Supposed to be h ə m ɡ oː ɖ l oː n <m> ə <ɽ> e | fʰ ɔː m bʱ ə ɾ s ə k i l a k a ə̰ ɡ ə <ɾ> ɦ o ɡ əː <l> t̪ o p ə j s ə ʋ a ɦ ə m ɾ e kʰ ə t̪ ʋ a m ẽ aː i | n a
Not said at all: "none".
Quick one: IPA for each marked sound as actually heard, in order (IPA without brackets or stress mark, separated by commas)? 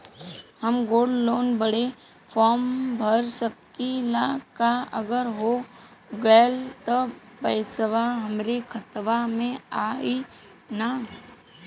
b, ɽ, ɾ, l